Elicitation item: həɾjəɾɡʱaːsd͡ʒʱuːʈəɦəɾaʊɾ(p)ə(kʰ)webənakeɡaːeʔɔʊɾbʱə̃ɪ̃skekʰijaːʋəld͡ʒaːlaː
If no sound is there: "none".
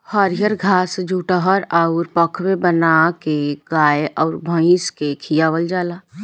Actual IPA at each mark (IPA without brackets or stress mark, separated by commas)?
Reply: p, kʰ